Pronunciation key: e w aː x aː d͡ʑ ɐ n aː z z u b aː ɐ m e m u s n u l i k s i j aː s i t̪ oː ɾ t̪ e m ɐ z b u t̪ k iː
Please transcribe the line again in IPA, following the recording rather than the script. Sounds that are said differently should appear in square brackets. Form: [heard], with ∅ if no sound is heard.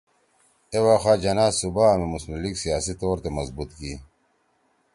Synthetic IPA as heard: e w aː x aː d͡ʑ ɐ n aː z [s] u b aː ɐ m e m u s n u l i k s i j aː s i t̪ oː ɾ t̪ e m ɐ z b u t̪ k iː